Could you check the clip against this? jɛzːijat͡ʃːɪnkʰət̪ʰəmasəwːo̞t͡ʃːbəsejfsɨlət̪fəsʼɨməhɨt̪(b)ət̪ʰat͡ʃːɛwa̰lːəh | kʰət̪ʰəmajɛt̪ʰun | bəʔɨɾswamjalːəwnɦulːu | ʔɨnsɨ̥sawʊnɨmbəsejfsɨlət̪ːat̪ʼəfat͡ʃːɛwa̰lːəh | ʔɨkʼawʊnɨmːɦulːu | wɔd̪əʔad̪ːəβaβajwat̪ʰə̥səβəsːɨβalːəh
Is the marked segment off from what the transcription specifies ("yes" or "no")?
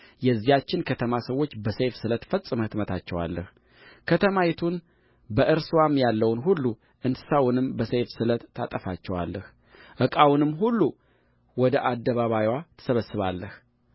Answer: yes